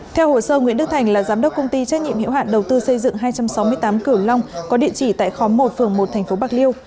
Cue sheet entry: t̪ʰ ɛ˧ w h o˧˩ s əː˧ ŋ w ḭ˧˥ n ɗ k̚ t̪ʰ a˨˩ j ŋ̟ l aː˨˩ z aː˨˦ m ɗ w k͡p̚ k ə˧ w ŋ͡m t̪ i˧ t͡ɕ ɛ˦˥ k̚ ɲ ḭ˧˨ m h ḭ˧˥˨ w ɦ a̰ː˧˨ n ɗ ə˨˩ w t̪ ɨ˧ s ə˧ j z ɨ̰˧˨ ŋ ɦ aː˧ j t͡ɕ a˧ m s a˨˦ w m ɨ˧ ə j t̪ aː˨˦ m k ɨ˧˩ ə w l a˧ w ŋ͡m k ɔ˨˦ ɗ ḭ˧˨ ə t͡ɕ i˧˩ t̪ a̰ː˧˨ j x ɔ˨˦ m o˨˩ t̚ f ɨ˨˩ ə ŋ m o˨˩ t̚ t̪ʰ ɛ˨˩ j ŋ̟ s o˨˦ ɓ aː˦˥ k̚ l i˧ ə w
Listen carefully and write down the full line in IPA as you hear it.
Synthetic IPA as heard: t̪ʰ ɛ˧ w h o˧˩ s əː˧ ŋ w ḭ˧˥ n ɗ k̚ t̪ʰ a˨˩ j ŋ̟ l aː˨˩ z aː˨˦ m ɗ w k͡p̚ k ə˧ w ŋ͡m t̪ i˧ t͡ɕ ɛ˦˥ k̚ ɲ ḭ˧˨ m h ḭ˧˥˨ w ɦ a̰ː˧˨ n ɗ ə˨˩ w t̪ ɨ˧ s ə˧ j z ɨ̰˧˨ ŋ ɦ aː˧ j t͡ɕ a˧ m s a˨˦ w m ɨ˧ ə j t̪ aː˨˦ m k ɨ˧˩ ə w l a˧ w ŋ͡m k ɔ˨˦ ɗ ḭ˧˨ ə t͡ɕ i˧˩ t̪ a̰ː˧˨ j x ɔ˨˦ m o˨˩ t̚ f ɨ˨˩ ə ŋ m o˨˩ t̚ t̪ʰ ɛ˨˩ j ŋ̟ f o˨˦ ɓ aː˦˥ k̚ l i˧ ə w